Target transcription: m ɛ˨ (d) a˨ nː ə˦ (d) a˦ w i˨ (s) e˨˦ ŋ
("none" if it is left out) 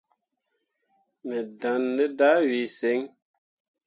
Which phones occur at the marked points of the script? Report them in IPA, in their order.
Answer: d, d, s

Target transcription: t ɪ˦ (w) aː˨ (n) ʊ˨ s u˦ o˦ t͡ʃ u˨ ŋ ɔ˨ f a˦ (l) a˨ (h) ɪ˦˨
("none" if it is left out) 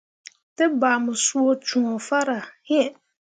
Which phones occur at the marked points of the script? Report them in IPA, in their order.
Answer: b, m, ɾ, h

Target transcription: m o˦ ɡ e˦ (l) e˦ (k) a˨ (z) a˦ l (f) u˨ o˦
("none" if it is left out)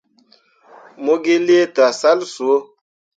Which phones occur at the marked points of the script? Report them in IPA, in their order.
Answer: l, t, s, s

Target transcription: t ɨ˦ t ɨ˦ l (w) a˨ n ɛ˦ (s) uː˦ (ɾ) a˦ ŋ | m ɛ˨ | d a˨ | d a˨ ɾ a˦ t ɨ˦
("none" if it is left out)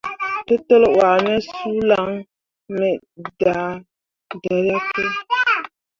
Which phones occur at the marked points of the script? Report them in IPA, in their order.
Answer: w, s, l

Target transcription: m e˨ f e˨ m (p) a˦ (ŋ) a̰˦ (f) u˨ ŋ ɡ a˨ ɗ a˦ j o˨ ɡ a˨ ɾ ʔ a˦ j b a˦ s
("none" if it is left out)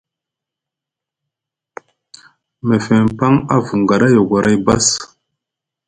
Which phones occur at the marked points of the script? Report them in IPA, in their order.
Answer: p, ŋ, v

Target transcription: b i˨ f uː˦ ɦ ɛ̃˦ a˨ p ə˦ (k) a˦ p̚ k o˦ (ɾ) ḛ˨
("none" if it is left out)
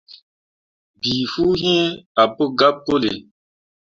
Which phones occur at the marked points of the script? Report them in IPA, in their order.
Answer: ɡ, l

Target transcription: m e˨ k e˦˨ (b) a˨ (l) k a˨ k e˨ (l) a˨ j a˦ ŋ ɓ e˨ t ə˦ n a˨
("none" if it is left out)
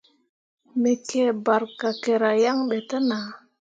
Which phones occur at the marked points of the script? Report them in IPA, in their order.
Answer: b, ɾ, ɾ

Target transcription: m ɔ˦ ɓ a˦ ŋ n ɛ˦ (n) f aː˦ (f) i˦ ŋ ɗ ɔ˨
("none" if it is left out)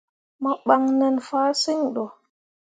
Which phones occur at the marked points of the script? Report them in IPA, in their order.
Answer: n, s

